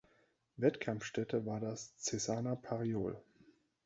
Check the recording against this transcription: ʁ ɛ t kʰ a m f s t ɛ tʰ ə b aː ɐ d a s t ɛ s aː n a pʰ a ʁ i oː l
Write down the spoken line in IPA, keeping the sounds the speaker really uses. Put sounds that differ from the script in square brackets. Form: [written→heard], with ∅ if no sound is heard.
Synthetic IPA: [ʁ→v] ɛ t kʰ a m f [s→ʃ] t ɛ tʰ ə [b→v] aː ɐ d a s [t→t͡s] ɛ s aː n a pʰ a ʁ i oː l